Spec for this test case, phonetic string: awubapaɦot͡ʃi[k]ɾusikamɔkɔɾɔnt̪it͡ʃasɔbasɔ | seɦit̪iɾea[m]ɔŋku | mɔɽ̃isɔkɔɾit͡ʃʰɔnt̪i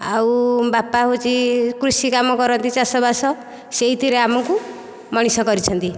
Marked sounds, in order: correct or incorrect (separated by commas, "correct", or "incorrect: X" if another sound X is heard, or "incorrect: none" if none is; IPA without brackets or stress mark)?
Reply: correct, correct